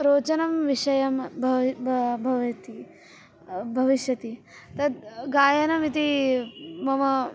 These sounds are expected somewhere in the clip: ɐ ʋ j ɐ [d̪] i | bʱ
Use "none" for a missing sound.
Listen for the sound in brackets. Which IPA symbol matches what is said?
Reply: t̪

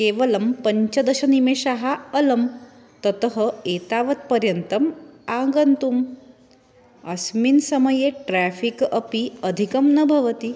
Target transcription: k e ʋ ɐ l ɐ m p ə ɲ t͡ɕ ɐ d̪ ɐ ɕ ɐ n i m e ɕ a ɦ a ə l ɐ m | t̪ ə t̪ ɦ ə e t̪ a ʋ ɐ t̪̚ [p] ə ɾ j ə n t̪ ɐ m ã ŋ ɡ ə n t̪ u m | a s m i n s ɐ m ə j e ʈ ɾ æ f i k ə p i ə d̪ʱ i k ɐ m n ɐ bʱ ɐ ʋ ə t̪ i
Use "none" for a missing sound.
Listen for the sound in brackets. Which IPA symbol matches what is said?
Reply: p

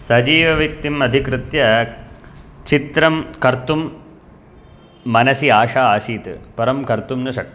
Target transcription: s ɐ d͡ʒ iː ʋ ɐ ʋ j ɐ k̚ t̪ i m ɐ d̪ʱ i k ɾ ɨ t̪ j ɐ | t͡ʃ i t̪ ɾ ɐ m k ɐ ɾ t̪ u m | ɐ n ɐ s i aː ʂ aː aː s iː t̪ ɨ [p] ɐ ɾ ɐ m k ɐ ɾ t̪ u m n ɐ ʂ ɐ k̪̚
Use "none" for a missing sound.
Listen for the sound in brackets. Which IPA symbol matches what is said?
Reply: p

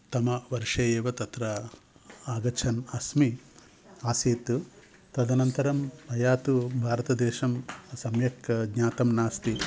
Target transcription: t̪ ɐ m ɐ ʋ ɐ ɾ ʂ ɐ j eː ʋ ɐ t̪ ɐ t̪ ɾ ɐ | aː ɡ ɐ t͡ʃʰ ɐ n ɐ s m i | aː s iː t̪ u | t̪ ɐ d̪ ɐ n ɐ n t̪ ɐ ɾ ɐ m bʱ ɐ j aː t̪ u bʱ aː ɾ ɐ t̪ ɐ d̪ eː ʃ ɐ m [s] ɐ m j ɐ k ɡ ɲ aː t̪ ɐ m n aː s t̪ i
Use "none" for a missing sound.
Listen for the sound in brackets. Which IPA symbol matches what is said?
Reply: s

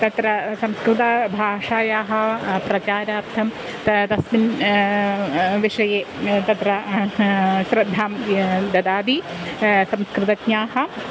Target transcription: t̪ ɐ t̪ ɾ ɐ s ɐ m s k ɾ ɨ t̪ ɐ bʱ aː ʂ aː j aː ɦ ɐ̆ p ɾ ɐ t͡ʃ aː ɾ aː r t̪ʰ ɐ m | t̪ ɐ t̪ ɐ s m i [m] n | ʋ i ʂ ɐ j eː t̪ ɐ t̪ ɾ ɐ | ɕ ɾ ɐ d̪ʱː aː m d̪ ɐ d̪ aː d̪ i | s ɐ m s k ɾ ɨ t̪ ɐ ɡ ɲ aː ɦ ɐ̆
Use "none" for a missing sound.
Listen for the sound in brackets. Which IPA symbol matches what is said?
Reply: none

